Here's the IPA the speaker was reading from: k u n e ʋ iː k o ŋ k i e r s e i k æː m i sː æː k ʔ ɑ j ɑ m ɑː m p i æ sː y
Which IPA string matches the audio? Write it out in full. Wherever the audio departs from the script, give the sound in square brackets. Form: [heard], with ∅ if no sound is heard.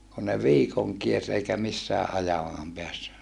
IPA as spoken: k u n e ʋ iː k o ŋ k i e r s e i k [æ] m i sː æː [ʔ] ʔ ɑ j ɑ m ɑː m p [e] æ sː y